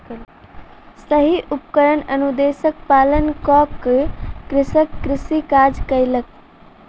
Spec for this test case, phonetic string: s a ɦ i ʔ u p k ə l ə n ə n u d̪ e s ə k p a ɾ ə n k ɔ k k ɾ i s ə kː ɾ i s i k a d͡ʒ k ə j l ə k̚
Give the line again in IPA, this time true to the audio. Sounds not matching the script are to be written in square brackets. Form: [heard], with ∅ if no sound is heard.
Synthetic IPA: s [ə] ɦ i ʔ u p k ə [ɾ] ə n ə n u d̪ e s ə k p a [l] ə n k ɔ k k ɾ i s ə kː ɾ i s i k a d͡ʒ k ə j l ə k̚